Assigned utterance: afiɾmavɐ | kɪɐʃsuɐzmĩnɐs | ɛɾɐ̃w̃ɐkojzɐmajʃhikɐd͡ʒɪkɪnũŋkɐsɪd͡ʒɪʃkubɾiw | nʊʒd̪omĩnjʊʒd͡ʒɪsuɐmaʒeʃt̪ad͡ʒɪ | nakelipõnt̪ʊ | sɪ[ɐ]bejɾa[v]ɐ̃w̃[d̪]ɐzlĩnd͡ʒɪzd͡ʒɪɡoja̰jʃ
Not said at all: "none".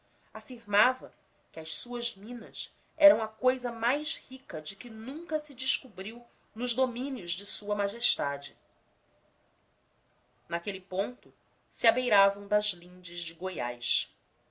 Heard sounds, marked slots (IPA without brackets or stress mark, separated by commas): a, v, d̪